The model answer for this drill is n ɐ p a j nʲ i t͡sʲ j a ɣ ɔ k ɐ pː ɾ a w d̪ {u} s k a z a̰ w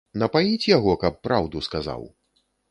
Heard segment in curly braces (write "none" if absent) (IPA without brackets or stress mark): u